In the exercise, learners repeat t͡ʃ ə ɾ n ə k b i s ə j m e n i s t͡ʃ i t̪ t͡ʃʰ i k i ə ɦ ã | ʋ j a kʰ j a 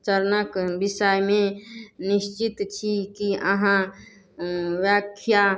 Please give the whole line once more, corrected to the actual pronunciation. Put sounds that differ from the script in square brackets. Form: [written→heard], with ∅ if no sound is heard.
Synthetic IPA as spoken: t͡ʃ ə ɾ n ə k b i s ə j m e n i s t͡ʃ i t̪ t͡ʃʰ i k i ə ɦ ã | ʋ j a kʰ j a